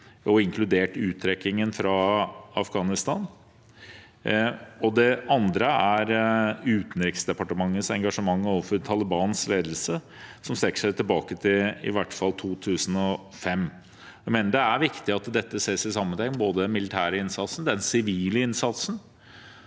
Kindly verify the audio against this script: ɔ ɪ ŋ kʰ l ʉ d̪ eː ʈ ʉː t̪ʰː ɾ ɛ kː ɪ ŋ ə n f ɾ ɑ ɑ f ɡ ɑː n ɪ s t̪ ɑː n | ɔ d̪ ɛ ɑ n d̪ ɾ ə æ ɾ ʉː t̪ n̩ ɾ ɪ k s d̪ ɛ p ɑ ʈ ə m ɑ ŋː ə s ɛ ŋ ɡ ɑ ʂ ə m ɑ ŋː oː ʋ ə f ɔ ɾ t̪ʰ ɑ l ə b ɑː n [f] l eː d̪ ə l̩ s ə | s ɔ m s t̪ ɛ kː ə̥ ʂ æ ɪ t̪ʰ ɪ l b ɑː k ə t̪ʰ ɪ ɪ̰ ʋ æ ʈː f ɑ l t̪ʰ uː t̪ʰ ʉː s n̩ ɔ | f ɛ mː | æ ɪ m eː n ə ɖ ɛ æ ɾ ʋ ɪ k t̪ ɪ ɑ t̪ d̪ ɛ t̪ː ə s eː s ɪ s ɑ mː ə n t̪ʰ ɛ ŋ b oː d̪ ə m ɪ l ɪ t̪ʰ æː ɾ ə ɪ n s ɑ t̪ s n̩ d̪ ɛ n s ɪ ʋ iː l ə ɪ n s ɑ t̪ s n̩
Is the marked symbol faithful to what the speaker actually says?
no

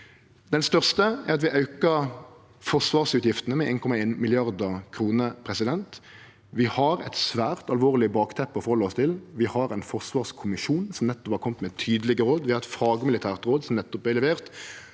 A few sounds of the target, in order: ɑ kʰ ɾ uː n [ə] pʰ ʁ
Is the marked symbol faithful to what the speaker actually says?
yes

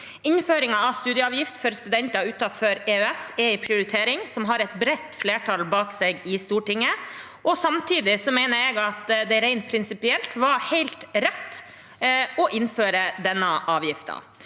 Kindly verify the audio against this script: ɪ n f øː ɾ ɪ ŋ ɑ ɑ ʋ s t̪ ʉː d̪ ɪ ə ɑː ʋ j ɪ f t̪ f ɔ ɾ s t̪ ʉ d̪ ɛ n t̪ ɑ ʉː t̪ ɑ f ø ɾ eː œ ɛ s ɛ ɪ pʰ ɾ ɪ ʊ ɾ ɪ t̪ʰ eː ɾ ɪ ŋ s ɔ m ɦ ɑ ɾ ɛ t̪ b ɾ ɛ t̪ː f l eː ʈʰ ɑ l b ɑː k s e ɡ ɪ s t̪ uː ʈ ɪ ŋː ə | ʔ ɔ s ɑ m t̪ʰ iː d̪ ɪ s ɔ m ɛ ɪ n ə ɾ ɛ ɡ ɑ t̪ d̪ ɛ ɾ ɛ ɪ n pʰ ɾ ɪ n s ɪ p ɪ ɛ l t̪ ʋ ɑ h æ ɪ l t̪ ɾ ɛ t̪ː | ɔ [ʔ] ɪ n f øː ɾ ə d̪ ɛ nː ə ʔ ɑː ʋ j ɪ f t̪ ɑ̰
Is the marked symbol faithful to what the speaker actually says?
yes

